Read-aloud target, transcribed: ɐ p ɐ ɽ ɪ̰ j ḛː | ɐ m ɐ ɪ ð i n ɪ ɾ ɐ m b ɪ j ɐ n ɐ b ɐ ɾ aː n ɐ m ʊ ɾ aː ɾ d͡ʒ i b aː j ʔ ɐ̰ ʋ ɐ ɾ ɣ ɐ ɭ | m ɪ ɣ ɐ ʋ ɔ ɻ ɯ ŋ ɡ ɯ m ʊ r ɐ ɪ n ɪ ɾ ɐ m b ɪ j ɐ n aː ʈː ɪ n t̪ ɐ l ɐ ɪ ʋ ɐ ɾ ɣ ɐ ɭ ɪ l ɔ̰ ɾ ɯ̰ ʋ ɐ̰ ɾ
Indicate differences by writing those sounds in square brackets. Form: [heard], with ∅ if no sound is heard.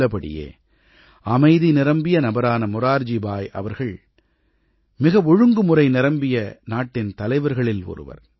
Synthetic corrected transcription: ɐ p ɐ ɽ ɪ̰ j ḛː | ɐ m ɐ ɪ ð i n ɪ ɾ ɐ m b ɪ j ɐ n ɐ b ɐ ɾ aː n ɐ m ʊ ɾ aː ɾ d͡ʒ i b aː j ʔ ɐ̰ ʋ ɐ ɾ ɣ ɐ ɭ | m ɪ ɣ ɐ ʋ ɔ ɻ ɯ ŋ ɡ ɯ m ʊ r ɐ ɪ n ɪ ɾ ɐ m b ɪ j ɐ n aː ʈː ɪ n t̪ ɐ l ɐ ɪ ʋ ɐ ɾ ɣ ɐ ɭ ɪ l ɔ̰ ɾ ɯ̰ ʋ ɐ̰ ɾ

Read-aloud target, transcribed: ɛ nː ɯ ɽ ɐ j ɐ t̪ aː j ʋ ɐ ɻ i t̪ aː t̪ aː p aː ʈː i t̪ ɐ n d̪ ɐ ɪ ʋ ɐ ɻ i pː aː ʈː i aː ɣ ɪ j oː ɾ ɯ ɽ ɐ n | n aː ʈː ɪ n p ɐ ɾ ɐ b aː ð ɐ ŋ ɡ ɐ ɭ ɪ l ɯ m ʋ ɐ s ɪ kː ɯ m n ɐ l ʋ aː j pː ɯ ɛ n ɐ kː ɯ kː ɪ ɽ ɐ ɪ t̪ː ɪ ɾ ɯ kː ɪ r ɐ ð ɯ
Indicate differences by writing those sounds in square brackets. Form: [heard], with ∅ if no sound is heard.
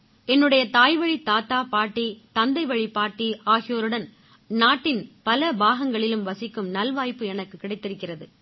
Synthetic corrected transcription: ɛ nː ɯ ɽ ɐ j ɐ t̪ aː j ʋ ɐ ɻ i t̪ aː t̪ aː p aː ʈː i t̪ ɐ n d̪ ɐ ɪ ʋ ɐ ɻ i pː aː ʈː i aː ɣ ɪ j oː ɾ ɯ ɽ ɐ n | n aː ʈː ɪ n p ɐ [l] ɐ b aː [ɣ] ɐ ŋ ɡ ɐ ɭ ɪ l ɯ m ʋ ɐ s ɪ kː ɯ m n ɐ l ʋ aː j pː ɯ ɛ n ɐ kː ɯ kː ɪ ɽ ɐ ɪ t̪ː ɪ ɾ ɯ kː ɪ r ɐ ð ɯ

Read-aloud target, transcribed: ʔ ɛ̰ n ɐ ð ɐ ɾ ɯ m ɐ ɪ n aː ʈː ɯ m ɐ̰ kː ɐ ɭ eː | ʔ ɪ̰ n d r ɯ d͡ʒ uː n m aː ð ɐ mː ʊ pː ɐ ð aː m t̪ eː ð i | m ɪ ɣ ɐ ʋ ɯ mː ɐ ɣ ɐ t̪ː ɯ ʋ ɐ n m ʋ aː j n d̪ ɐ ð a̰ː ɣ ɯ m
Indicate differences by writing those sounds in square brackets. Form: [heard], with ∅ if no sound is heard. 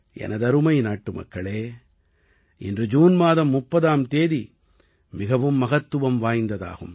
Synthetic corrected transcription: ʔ ɛ̰ n ɐ ð ɐ ɾ ɯ m ɐ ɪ n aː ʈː ɯ m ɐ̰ kː ɐ ɭ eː | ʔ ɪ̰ n d r ɯ d͡ʒ uː n m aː ð ɐ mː ʊ pː ɐ ð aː m t̪ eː ð i | m ɪ ɣ ɐ ʋ ɯ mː ɐ ɣ ɐ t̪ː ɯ ʋ ɐ [∅] m ʋ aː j n d̪ ɐ ð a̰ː ɣ ɯ m

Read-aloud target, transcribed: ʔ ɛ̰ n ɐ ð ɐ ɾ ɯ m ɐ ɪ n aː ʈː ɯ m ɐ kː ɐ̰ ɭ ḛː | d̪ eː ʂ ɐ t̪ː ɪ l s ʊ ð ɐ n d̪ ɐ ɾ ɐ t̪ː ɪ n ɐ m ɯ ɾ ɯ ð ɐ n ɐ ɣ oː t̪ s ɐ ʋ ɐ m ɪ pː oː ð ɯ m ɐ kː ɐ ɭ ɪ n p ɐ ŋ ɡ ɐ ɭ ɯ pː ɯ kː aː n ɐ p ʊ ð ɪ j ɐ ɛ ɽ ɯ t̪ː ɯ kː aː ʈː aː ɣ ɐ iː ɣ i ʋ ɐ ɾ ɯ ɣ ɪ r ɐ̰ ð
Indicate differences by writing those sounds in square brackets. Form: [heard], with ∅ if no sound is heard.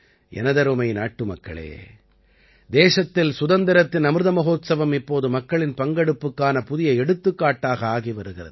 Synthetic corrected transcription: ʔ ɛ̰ n ɐ ð ɐ ɾ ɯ m ɐ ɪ n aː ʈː ɯ m ɐ kː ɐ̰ ɭ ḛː | d̪ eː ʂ ɐ t̪ː ɪ l s ʊ ð ɐ n d̪ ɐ ɾ ɐ t̪ː ɪ n ɐ m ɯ ɾ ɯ ð ɐ [m] ɐ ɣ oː t̪ s ɐ ʋ ɐ m ɪ pː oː ð ɯ m ɐ kː ɐ ɭ ɪ n p ɐ ŋ ɡ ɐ [ɽ] ɯ pː ɯ kː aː n ɐ p ʊ ð ɪ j ɐ ɛ ɽ ɯ t̪ː ɯ kː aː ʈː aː ɣ ɐ [aː] ɣ i ʋ ɐ ɾ ɯ ɣ ɪ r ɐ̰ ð

